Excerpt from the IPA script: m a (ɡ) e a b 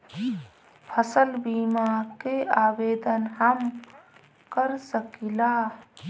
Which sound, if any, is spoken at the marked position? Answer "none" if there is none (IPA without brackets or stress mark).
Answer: k